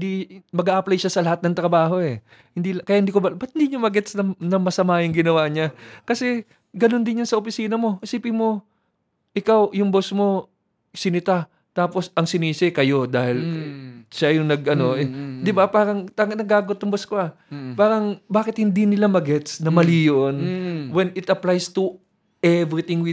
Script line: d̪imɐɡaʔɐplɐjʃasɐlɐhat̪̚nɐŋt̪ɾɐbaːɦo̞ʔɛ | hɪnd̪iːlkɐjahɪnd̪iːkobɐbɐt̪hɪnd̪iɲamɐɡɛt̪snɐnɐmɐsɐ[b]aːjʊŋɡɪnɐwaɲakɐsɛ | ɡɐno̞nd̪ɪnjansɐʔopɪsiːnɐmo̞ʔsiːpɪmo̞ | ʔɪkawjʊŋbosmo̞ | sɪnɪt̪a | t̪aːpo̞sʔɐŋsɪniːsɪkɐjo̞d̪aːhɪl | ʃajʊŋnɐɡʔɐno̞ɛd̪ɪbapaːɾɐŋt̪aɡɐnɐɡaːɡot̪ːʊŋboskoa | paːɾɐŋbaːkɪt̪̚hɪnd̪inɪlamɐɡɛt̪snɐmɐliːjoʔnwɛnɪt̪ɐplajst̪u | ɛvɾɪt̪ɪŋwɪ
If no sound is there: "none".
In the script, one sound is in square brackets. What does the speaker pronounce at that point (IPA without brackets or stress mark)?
m